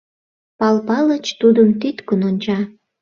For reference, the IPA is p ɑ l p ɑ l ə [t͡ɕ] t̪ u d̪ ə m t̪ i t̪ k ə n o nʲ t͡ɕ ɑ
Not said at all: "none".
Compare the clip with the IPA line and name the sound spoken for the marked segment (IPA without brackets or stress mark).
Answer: t͡ɕ